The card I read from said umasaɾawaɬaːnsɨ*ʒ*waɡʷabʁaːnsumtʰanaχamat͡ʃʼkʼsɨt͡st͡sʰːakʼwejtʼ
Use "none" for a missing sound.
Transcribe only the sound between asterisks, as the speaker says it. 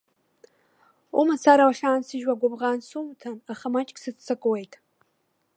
ʒ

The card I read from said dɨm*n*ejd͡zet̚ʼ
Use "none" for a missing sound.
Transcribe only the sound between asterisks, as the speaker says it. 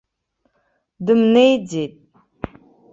n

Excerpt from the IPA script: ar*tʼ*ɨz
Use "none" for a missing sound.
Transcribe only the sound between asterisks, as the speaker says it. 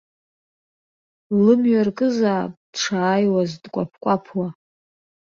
kʼ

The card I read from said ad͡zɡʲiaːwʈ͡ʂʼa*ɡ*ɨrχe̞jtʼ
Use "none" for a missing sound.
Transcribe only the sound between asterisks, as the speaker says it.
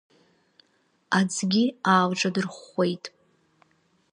d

